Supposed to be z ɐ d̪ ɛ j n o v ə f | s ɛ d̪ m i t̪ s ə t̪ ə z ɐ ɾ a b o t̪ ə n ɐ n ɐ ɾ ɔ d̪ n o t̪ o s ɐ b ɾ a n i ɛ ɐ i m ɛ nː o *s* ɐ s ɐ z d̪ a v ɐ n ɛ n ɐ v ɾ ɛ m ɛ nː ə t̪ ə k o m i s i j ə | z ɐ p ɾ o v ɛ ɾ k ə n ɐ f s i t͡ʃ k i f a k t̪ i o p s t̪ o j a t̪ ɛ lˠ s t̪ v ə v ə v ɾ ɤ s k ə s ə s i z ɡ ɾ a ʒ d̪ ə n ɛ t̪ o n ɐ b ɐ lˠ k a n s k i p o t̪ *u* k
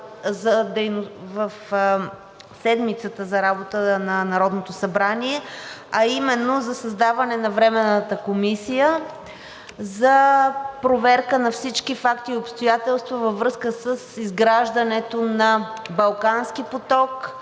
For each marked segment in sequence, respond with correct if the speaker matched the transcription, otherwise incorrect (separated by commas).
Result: incorrect, incorrect